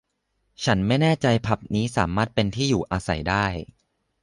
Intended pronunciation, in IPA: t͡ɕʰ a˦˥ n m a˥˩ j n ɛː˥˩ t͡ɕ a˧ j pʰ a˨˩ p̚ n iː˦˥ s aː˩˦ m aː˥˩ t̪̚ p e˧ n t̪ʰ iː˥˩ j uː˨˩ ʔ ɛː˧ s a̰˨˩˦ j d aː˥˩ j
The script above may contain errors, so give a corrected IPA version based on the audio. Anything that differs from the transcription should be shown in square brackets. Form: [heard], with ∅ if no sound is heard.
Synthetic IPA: t͡ɕʰ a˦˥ n m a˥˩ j n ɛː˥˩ t͡ɕ a˧ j pʰ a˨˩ p̚ n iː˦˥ s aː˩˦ m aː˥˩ t̪̚ p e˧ n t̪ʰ iː˥˩ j uː˨˩ ʔ [aː˧] s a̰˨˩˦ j d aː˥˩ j